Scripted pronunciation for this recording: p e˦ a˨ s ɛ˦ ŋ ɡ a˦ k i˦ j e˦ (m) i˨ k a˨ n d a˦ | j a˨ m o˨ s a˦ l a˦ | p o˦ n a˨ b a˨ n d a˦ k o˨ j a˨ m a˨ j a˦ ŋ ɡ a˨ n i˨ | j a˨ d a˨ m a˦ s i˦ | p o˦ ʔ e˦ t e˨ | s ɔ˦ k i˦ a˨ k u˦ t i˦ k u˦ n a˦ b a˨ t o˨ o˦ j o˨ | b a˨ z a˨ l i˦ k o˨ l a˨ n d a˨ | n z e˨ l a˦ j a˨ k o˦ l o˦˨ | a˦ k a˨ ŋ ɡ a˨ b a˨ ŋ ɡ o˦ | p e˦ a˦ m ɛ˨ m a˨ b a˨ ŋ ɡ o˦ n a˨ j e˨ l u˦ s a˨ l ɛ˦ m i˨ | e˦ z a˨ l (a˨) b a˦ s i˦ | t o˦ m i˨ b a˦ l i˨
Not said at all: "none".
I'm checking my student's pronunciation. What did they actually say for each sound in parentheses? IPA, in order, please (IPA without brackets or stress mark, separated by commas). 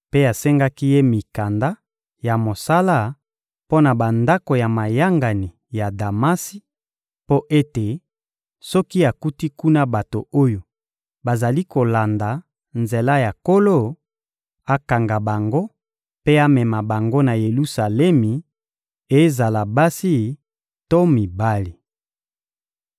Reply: m, a˨